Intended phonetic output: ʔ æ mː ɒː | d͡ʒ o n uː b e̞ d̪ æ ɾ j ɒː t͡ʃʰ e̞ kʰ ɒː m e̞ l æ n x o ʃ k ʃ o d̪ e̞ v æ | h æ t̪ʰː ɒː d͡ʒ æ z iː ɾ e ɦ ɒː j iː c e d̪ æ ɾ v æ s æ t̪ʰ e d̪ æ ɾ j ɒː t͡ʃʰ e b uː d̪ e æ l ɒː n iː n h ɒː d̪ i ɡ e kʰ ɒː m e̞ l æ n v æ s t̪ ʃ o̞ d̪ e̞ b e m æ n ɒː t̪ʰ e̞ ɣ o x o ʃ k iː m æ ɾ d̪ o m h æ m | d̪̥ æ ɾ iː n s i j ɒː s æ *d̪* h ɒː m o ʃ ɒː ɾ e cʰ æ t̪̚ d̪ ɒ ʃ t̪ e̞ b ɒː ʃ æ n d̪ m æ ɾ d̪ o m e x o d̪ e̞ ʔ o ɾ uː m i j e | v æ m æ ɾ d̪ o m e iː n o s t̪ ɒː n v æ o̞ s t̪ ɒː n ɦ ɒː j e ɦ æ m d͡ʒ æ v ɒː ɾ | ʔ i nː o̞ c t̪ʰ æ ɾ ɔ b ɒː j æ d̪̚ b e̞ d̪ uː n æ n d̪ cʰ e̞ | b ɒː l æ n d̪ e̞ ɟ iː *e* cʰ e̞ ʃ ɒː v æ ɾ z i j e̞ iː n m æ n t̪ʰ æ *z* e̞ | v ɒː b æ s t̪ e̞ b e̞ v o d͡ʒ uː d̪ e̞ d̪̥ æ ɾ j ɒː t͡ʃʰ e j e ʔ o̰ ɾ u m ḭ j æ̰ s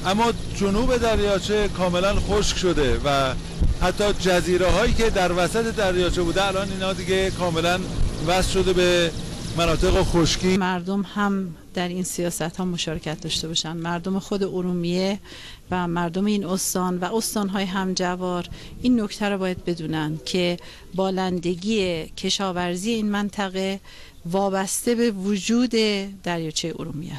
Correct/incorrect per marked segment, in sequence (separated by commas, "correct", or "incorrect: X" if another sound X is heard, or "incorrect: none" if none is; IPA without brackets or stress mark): incorrect: t̪, correct, incorrect: ɣ